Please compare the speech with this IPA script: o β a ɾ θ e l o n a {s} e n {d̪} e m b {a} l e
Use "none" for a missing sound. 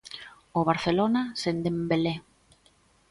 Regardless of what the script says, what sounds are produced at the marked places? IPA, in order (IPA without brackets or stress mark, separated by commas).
s, d̪, e